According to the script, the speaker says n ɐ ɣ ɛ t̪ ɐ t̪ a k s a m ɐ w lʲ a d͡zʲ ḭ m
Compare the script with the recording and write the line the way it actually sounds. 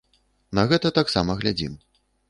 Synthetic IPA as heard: n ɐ ɣ ɛ t̪ ɐ t̪ a k s a m ɐ ɣ lʲ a d͡zʲ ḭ m